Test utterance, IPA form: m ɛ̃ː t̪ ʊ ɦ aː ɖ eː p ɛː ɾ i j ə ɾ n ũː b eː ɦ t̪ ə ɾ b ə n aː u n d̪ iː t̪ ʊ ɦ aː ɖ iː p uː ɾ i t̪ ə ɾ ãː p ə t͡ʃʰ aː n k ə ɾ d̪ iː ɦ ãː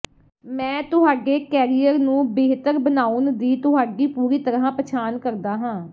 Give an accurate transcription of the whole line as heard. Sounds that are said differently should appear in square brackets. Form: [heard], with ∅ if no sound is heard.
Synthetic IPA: m ɛ̃ː t̪ ʊ ɦ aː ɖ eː [k] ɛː ɾ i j ə ɾ n ũː b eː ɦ t̪ ə ɾ b ə n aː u n d̪ iː t̪ ʊ ɦ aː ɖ iː p uː ɾ [iː] t̪ ə ɾ ãː p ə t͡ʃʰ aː n k ə ɾ d̪ [aː] ɦ ãː